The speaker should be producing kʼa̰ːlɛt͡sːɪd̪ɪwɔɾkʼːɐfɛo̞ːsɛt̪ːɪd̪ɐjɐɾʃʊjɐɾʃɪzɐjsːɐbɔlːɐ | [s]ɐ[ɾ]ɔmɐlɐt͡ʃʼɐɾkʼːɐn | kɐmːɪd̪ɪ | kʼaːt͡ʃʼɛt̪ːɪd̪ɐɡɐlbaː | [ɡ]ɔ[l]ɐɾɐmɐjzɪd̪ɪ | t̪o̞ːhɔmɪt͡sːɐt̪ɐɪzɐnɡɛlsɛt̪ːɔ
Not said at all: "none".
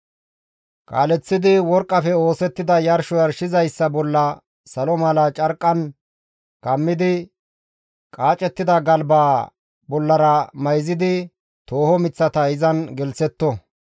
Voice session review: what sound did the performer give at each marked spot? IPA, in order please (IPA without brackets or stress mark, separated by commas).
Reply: s, l, b, lː